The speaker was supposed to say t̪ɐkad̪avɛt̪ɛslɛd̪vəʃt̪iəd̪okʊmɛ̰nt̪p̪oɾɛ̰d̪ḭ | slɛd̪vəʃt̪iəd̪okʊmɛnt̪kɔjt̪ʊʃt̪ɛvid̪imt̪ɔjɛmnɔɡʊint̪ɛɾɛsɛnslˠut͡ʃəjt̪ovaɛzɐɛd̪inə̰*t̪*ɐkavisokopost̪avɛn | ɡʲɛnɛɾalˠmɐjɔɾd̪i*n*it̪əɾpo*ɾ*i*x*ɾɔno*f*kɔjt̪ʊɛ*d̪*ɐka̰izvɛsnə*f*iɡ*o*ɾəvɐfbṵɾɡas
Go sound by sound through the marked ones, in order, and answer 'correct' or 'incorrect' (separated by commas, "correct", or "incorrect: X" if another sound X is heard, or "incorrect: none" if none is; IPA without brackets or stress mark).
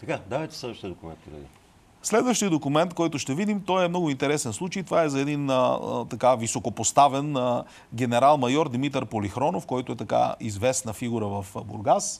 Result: correct, incorrect: m, incorrect: l, correct, correct, incorrect: t̪, correct, incorrect: u